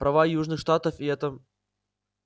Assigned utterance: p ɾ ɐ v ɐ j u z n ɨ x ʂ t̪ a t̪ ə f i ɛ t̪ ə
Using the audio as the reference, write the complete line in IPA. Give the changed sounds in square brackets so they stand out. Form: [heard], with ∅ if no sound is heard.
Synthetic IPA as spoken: p ɾ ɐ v [a] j u [ʐ] n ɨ x ʂ t̪ a t̪ ə f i ɛ t̪ ə